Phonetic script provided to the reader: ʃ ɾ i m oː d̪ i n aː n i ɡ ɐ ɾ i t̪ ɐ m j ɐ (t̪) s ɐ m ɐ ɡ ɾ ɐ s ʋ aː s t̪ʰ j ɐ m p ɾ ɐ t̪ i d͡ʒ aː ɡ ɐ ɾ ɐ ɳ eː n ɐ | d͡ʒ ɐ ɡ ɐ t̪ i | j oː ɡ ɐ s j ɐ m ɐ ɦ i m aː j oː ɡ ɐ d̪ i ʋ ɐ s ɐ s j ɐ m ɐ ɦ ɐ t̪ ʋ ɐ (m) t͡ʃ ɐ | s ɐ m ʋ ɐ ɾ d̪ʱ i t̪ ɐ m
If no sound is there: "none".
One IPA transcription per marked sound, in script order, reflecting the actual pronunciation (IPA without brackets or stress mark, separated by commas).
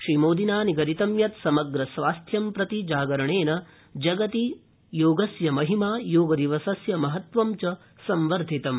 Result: t̪, m